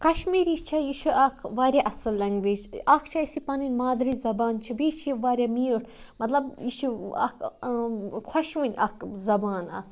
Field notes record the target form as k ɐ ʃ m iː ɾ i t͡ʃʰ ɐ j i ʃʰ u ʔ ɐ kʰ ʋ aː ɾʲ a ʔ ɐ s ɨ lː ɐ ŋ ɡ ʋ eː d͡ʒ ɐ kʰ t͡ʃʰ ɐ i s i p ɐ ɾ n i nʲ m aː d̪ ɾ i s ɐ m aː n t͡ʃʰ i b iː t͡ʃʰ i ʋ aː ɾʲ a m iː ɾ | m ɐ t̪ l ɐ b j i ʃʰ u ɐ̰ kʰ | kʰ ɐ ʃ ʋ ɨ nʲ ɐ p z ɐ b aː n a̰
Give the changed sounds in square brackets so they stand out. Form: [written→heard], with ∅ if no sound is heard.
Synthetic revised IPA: k ɐ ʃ m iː ɾ i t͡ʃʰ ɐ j i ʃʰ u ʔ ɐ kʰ ʋ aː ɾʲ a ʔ ɐ s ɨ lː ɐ ŋ ɡ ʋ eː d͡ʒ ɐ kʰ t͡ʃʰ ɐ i s i p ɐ [ɾ→∅] n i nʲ m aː d̪ ɾ i [s→z] ɐ [m→b] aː n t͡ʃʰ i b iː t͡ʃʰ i ʋ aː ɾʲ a m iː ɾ | m ɐ t̪ l ɐ b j i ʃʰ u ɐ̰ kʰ | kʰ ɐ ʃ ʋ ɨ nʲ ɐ [p→k] z ɐ b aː n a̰